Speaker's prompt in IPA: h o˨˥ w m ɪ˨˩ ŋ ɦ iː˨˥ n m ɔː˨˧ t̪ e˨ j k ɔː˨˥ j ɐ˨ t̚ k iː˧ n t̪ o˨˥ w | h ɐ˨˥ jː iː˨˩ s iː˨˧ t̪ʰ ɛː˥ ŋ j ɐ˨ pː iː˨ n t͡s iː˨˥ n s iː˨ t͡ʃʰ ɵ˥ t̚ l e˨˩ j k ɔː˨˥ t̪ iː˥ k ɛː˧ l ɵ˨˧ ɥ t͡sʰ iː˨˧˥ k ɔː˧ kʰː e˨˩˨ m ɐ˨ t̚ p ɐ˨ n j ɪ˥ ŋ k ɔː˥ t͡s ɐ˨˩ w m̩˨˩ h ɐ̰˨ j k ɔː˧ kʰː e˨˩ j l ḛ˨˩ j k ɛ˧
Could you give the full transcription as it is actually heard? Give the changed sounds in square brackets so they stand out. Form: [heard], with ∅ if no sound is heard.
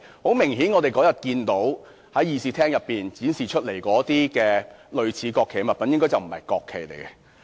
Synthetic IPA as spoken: h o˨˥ w m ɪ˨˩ ŋ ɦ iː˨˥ n [ŋ] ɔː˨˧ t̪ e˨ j k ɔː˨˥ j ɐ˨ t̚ k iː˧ n t̪ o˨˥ w | h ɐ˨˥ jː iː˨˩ s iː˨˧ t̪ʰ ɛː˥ ŋ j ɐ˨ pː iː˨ n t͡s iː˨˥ n s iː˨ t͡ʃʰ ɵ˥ t̚ l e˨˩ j k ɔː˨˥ t̪ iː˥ k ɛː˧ l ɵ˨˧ ɥ t͡sʰ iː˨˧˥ k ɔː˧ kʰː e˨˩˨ m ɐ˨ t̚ p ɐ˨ n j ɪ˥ ŋ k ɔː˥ t͡s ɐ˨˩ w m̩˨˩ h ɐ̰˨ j k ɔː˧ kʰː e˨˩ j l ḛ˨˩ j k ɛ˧